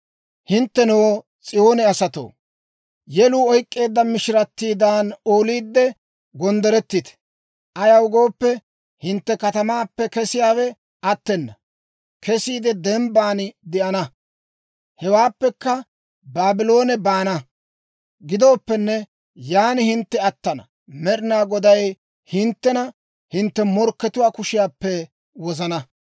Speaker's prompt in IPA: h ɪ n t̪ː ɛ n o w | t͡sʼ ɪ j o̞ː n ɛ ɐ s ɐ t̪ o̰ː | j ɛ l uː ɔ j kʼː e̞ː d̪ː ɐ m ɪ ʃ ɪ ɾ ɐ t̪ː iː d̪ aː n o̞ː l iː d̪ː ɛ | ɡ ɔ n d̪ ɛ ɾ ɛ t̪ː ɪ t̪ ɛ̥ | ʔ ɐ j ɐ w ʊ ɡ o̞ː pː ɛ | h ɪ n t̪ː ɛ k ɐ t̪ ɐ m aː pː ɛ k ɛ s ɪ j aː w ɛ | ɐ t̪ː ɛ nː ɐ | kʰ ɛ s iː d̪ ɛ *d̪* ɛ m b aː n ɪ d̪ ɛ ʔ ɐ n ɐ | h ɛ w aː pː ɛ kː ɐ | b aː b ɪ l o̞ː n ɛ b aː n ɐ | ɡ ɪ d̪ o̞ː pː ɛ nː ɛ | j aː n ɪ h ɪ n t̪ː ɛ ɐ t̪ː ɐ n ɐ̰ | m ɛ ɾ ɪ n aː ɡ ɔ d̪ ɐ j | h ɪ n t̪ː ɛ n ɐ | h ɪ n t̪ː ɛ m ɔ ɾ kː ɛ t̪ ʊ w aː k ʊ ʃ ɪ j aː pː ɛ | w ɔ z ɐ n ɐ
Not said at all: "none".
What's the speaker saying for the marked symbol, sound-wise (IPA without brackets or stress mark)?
d̪